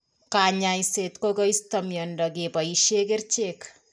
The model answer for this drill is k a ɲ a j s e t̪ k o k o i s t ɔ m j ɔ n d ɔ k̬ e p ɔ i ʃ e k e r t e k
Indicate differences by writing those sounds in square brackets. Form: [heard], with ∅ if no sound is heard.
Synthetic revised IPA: k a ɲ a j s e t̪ k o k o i s t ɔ m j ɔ n d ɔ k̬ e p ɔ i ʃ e k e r [t͡ʃ] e k